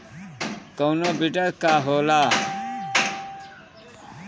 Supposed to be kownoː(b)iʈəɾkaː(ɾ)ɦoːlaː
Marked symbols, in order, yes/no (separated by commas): yes, no